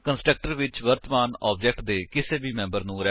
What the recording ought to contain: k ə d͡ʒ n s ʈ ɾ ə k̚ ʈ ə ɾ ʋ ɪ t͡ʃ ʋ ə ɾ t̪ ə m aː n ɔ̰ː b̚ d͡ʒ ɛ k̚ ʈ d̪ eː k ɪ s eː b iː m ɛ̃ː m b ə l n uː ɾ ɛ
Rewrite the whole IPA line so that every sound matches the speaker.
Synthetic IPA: k ə n s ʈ ɾ ə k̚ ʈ ə ɾ ʋ ɪ t͡ʃ ʋ ə ɾ t̪ ə m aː n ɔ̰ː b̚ d͡ʒ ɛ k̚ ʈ d̪ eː k ɪ s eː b iː m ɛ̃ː m b ə ɾ n ũː ɾ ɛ